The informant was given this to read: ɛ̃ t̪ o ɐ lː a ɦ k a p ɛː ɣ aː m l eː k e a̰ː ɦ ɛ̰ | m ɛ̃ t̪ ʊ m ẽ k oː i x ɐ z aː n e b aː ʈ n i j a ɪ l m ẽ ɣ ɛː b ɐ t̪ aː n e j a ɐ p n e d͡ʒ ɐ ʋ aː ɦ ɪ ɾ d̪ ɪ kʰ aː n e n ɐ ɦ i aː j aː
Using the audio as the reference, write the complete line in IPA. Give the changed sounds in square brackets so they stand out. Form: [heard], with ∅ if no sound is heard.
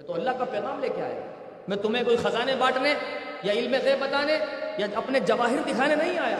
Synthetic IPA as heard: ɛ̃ t̪ o ɐ lː a ɦ k a p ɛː ɣ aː m l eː k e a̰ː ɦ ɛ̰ | m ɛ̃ t̪ ʊ m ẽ k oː i x ɐ z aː n e b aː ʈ n [e] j a ɪ l m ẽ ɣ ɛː b ɐ t̪ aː n e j a ɐ p n e d͡ʒ ɐ ʋ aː ɦ ɪ ɾ d̪ ɪ kʰ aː n e n ɐ ɦ [ĩ] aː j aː